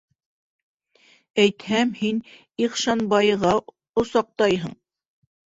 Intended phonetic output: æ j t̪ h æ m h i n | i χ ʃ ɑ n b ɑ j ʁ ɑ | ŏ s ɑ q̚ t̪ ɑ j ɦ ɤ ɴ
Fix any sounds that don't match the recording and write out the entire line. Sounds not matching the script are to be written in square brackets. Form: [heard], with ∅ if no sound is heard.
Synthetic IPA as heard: æ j t̪ h æ m h i n | i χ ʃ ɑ n b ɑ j ʁ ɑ | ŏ s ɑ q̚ t̪ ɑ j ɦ ɤ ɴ